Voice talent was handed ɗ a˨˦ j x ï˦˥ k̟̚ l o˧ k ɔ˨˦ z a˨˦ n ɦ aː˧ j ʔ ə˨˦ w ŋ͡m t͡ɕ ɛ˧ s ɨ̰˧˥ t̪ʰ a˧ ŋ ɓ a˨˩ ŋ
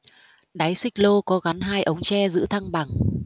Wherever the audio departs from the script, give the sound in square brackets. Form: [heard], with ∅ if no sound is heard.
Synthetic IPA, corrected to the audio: ɗ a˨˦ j [s] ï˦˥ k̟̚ l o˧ k ɔ˨˦ [ɣ] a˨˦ n ɦ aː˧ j ʔ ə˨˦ w ŋ͡m t͡ɕ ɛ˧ [z] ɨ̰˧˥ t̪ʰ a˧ ŋ ɓ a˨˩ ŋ